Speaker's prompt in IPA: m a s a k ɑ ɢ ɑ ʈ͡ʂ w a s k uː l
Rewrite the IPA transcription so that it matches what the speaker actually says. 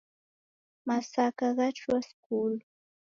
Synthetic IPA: m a s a k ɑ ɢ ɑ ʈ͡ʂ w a s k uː l